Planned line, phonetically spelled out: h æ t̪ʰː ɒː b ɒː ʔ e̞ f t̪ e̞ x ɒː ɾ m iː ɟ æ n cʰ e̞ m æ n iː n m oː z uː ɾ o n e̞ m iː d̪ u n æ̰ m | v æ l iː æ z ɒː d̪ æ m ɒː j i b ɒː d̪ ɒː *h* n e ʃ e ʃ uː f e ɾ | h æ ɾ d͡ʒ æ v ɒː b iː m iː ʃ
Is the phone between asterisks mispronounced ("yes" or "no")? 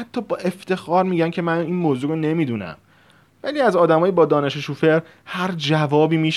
yes